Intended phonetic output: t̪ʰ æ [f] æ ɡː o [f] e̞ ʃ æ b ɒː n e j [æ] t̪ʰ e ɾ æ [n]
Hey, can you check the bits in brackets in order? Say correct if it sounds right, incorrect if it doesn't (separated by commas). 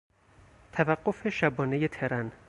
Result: incorrect, correct, incorrect, correct